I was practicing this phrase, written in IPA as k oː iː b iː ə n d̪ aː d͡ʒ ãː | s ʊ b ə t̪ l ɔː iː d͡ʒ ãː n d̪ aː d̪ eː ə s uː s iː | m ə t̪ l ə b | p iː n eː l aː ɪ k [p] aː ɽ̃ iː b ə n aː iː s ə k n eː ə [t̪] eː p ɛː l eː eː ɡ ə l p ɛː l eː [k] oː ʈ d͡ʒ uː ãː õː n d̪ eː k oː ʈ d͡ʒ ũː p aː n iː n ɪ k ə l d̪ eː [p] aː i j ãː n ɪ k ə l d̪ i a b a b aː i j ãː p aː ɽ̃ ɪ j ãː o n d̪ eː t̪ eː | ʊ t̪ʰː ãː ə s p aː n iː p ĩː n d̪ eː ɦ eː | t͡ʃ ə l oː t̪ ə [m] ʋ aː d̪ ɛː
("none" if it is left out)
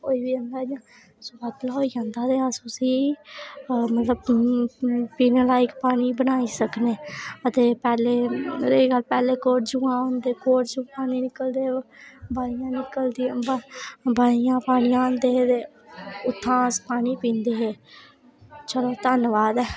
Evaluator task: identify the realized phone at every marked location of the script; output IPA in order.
p, t̪, k, b, n

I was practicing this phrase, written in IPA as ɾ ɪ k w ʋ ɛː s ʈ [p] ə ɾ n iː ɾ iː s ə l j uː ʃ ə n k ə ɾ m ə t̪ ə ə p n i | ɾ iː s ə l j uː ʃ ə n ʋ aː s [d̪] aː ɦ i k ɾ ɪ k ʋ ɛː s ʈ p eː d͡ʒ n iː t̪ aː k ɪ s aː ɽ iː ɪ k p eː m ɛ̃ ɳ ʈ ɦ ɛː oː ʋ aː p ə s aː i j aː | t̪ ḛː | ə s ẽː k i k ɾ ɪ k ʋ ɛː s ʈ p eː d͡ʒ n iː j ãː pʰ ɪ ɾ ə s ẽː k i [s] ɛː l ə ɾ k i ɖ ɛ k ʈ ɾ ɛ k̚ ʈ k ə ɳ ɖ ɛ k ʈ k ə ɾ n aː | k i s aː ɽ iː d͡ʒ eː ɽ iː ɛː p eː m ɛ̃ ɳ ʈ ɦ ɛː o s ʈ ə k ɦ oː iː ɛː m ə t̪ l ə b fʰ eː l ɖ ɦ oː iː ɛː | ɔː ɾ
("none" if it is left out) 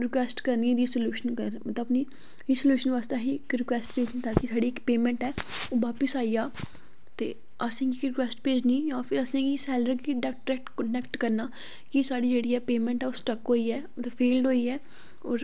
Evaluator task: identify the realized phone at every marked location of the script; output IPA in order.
k, t̪, s

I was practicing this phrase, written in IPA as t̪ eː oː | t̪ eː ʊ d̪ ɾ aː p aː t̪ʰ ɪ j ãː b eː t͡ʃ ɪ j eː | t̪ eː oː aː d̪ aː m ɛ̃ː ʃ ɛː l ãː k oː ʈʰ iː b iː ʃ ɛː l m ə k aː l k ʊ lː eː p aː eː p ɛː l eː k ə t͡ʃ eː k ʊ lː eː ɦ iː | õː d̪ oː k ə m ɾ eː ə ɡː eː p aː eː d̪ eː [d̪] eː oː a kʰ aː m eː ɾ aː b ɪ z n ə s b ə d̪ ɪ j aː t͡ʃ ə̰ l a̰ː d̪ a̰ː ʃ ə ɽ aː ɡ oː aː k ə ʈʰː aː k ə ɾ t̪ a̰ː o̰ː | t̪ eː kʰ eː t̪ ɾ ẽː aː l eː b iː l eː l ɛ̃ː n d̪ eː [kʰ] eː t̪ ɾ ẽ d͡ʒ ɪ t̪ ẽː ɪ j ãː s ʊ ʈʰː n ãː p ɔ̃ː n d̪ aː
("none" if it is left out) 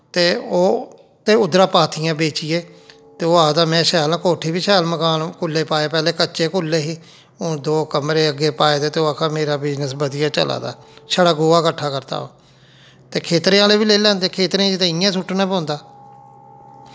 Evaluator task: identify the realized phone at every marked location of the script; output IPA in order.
t̪, kʰ

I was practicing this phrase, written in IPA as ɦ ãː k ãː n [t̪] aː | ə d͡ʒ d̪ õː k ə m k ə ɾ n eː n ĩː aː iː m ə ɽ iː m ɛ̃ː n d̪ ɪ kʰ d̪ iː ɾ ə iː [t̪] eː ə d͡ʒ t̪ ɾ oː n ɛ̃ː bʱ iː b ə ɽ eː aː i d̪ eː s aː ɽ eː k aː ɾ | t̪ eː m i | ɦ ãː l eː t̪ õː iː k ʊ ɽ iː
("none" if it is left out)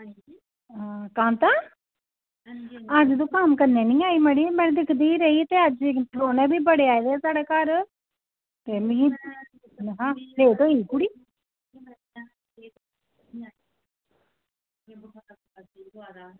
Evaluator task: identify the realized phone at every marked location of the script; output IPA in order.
t̪, t̪

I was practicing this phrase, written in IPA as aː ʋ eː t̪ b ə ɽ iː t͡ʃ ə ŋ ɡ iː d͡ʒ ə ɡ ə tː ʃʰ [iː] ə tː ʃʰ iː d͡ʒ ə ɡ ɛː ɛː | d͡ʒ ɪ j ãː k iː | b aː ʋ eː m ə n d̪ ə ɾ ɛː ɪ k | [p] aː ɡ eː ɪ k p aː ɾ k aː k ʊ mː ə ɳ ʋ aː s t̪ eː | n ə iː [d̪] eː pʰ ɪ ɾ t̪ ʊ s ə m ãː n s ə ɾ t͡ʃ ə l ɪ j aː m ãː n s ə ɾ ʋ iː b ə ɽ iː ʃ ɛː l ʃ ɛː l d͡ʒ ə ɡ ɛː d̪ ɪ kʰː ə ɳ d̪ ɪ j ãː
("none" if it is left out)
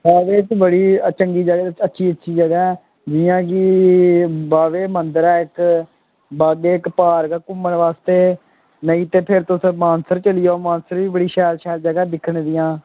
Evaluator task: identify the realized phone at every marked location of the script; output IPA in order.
iː, b, t̪

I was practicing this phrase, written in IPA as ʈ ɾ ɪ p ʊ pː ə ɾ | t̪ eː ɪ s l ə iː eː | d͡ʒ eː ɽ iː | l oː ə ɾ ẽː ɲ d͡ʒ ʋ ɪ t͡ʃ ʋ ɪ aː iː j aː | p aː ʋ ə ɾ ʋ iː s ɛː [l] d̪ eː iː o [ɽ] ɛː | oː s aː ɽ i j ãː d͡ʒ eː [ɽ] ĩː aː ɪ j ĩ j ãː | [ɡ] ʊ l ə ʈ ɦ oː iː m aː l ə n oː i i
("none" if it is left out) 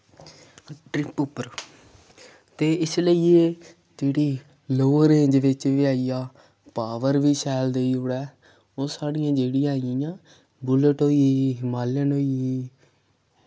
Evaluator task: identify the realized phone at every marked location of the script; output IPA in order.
l, ɽ, ɽ, b

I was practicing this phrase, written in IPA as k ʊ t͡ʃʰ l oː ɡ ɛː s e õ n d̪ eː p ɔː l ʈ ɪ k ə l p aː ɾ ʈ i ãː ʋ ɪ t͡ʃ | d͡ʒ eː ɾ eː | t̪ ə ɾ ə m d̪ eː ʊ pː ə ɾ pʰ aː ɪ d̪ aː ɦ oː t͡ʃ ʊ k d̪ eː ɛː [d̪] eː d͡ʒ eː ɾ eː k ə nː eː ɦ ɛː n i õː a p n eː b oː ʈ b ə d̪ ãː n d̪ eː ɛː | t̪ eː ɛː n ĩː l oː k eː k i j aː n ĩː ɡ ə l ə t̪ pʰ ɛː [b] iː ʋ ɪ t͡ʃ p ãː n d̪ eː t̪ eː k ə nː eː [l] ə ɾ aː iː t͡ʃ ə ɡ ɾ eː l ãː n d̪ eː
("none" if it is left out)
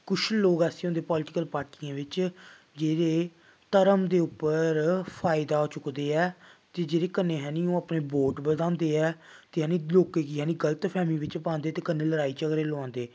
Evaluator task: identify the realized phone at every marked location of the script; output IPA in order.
t̪, m, l

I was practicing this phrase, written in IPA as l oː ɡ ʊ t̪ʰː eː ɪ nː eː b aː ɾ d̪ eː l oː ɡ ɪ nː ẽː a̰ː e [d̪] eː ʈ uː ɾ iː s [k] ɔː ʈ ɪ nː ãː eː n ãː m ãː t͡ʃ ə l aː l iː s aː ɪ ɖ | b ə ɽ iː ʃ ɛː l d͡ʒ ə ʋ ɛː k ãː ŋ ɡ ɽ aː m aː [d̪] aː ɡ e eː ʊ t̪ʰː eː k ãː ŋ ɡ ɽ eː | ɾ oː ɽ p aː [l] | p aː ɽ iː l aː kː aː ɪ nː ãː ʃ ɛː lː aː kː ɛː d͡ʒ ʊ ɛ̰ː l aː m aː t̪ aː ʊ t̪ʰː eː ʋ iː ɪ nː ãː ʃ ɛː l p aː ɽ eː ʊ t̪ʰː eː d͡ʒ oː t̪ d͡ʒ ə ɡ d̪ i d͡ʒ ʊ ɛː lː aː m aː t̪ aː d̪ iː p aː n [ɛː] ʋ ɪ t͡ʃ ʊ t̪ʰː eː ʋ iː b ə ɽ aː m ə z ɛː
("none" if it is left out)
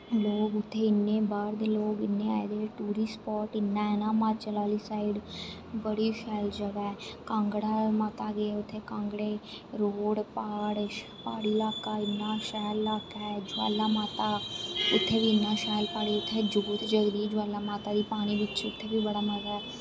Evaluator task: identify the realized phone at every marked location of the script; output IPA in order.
d̪, p, t̪, ɽ, iː

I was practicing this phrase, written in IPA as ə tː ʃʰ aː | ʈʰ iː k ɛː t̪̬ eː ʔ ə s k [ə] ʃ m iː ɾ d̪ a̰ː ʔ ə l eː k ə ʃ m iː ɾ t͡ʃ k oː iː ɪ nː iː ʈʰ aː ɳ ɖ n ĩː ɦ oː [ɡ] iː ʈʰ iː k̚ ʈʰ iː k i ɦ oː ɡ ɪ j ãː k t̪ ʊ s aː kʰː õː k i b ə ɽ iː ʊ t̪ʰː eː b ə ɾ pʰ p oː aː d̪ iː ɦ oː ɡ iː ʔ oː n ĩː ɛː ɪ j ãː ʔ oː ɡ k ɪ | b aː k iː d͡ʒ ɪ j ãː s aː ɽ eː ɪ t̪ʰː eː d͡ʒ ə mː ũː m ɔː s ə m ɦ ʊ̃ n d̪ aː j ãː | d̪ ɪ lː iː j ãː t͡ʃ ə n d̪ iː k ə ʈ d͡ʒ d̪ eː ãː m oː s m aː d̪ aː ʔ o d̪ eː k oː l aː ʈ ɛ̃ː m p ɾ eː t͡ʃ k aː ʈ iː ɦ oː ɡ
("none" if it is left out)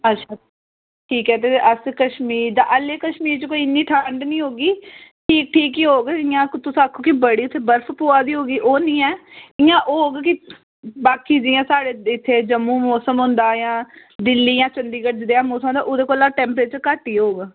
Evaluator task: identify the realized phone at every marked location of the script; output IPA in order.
ə, ɡ

